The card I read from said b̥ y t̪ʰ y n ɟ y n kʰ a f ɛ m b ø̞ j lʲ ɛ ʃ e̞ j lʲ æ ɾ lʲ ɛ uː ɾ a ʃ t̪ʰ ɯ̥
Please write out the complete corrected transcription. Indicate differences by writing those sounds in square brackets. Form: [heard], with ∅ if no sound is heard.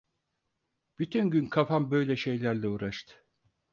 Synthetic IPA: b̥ y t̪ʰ y n ɟ y n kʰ a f [a] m b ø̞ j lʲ ɛ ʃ e̞ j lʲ æ ɾ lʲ ɛ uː ɾ a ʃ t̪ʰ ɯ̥

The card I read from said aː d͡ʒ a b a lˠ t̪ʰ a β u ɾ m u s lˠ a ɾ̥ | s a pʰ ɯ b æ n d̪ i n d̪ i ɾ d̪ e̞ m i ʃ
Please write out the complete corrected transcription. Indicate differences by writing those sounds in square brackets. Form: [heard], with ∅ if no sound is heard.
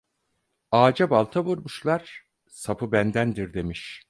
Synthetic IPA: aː d͡ʒ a b a lˠ t̪ʰ a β u ɾ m u [ʃ] lˠ a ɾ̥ | s a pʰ ɯ b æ n d̪ [æ] n d̪ i ɾ d̪ e̞ m i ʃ

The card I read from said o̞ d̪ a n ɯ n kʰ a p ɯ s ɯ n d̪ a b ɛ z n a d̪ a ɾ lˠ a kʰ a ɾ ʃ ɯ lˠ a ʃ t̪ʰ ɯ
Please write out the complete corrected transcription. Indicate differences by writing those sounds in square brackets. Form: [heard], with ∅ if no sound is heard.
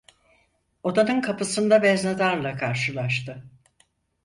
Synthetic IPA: o̞ d̪ a n ɯ n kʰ a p ɯ s ɯ n d̪ a b ɛ z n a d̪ a ɾ lˠ a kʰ a ɾ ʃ ɯ lˠ a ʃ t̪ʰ ɯ

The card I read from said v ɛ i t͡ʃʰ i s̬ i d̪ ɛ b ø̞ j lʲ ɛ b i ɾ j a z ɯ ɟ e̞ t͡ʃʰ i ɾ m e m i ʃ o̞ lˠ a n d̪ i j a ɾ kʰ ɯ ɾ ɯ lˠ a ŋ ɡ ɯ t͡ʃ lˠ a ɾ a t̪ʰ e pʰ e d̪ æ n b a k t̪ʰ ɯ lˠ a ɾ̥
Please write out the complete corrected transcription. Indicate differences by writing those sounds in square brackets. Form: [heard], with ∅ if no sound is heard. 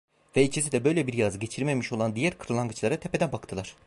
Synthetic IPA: v ɛ i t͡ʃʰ i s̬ i d̪ ɛ b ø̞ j lʲ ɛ b i ɾ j a z ɯ ɟ e̞ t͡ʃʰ i ɾ m e m i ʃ o̞ lˠ a n d̪ i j [æ] ɾ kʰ ɯ ɾ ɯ lˠ a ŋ ɡ ɯ t͡ʃ lˠ a ɾ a t̪ʰ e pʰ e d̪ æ n b a k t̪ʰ ɯ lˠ a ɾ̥

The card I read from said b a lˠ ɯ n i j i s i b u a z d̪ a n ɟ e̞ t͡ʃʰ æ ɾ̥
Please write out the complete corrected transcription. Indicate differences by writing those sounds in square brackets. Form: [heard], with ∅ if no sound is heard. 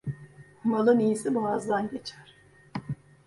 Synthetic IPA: [m] a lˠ ɯ n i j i s i b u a z d̪ a n ɟ e̞ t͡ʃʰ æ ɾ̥

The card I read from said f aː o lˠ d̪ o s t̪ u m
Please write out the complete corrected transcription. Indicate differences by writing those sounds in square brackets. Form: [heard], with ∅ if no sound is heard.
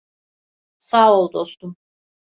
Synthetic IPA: [s] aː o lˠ d̪ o s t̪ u m

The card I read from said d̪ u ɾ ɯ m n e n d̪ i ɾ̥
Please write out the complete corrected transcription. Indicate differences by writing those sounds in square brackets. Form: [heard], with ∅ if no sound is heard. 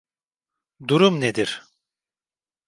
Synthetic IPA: d̪ u ɾ [u] m n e [∅] d̪ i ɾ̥

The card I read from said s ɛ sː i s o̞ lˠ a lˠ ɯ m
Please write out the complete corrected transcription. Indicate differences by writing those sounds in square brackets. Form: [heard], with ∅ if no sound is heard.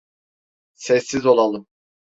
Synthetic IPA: s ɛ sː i [z] o̞ lˠ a lˠ ɯ m

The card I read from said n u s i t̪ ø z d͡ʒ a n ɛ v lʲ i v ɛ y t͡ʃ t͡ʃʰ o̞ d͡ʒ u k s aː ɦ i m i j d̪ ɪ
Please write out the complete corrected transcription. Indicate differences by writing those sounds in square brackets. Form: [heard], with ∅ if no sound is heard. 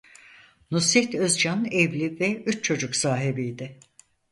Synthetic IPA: n u s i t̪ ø z d͡ʒ a n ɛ v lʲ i v ɛ y t͡ʃ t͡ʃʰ o̞ d͡ʒ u k s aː ɦ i [b] i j d̪ ɪ

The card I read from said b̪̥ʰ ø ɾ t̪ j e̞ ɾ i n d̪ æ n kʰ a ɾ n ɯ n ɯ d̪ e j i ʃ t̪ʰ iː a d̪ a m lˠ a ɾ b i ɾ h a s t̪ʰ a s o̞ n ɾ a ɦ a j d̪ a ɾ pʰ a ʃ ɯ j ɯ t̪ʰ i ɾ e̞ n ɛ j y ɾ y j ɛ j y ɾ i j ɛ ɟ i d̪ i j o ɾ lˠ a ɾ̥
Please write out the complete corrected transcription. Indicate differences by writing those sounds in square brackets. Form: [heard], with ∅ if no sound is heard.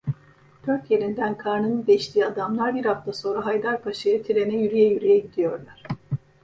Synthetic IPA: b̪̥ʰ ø ɾ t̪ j e̞ ɾ i n d̪ æ n kʰ a ɾ n ɯ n ɯ d̪ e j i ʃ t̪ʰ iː a d̪ a m lˠ a ɾ b i ɾ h a [f] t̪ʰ a s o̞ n ɾ a ɦ a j d̪ a ɾ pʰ a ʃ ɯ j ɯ t̪ʰ i ɾ e̞ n ɛ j y ɾ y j ɛ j y ɾ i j ɛ ɟ i d̪ i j o ɾ lˠ a ɾ̥

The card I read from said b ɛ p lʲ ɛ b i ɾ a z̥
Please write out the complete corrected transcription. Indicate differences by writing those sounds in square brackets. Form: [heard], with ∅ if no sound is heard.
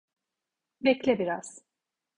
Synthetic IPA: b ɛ [c] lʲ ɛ b i ɾ a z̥

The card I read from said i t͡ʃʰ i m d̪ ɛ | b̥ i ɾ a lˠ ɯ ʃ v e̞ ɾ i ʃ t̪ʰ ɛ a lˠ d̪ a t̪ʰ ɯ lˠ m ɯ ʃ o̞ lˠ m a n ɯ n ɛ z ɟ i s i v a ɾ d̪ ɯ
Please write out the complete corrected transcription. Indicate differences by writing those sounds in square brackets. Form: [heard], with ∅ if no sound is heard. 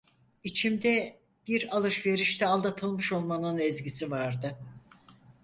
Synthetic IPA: i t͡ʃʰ i m d̪ ɛ | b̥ i ɾ a lˠ ɯ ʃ v e̞ ɾ i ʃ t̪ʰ ɛ a lˠ d̪ a t̪ʰ ɯ lˠ m ɯ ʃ o̞ lˠ m a n ɯ n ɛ z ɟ i s i v a ɾ d̪ ɯ

